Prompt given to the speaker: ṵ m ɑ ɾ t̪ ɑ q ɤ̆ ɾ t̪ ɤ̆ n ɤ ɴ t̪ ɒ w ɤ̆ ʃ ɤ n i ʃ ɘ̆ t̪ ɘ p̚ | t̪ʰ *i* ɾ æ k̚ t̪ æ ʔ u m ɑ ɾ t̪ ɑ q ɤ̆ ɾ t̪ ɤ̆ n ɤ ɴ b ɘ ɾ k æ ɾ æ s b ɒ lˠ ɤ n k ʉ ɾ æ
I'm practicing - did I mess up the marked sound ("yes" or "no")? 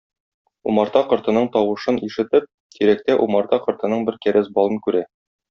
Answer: no